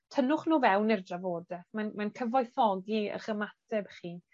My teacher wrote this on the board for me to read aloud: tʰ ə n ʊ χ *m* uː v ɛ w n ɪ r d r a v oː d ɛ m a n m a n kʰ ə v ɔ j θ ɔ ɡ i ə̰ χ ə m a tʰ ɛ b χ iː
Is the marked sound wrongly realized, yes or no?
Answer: yes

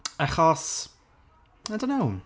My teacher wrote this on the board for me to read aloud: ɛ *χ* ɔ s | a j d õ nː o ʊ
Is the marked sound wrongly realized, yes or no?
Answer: no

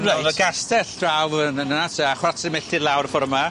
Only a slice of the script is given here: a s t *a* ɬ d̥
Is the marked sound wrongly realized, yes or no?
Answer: yes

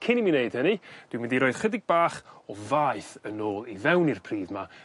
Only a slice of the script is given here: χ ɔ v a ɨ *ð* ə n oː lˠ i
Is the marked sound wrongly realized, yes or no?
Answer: yes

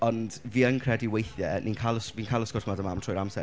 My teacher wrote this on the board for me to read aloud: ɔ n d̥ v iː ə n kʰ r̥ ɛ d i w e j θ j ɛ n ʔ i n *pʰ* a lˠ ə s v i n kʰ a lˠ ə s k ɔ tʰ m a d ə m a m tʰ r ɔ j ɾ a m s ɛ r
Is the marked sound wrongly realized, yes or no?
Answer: yes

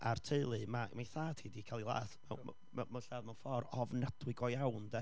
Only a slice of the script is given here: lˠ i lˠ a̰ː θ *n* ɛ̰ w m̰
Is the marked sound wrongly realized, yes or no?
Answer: yes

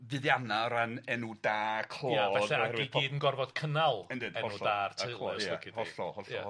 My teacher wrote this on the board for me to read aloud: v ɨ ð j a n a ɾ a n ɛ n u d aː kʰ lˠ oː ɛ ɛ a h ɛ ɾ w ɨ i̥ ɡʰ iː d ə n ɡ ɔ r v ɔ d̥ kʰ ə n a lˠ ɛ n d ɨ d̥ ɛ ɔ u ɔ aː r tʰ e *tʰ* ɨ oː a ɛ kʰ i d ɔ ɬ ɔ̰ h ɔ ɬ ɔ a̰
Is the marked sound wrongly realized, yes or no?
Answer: yes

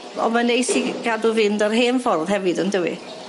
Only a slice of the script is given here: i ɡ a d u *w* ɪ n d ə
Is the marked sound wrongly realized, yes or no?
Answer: yes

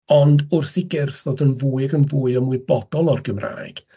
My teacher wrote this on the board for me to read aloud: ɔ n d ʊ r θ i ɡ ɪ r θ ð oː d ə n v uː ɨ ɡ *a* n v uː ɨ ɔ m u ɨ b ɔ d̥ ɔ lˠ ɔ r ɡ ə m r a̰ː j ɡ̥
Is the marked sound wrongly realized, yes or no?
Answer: yes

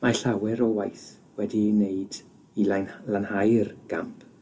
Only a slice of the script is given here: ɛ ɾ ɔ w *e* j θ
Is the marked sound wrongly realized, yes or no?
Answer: yes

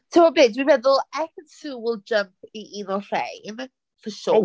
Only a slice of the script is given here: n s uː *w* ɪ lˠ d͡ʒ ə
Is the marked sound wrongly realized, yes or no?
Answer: no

